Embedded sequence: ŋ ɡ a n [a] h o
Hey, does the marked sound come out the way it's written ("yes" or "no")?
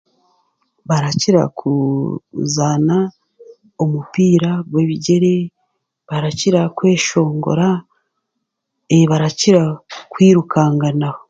yes